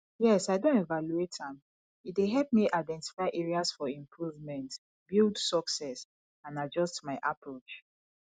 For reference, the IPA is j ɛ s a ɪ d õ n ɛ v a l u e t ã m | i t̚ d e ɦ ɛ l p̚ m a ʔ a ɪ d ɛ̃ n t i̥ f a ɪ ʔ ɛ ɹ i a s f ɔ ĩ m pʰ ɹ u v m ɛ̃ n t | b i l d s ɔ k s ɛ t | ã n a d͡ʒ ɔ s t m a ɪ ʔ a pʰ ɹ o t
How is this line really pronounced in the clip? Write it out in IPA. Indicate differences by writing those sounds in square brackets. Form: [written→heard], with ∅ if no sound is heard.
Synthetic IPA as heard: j ɛ s a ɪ d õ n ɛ v a l u e t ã m | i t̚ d e ɦ ɛ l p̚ m [a→i] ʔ a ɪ d ɛ̃ n t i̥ f a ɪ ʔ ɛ ɹ i a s f ɔ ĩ m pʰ ɹ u v m ɛ̃ n t | b i l d s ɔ k s ɛ [t→s] | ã n a d͡ʒ ɔ s t m a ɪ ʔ a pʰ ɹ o [t→t͡ʃ]